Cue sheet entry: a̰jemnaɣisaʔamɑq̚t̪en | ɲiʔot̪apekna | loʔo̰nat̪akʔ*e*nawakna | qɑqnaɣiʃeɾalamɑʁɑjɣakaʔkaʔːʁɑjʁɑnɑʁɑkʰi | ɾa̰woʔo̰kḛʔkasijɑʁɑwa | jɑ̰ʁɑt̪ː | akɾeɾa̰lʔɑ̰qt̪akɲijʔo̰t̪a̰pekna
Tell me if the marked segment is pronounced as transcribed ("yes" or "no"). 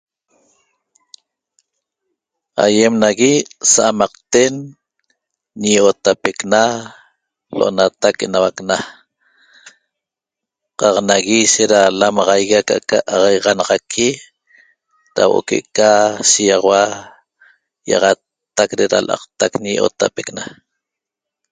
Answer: yes